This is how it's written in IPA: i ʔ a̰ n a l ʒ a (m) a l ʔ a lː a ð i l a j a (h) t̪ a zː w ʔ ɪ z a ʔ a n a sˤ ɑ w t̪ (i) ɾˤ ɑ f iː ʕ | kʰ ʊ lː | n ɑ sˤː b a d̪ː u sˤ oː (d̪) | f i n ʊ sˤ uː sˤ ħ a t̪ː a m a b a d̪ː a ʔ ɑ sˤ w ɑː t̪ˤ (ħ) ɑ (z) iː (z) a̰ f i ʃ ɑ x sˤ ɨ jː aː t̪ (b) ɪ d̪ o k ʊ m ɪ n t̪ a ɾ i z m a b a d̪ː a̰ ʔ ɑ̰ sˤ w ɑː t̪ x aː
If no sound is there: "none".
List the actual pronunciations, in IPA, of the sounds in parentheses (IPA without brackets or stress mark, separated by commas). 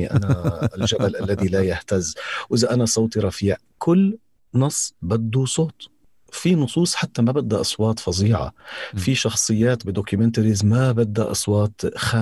b, h, i, t̪, f, z, ʕ, b